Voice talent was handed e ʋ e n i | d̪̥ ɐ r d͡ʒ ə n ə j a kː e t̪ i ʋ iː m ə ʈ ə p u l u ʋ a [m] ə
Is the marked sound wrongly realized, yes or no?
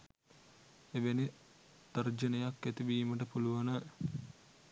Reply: yes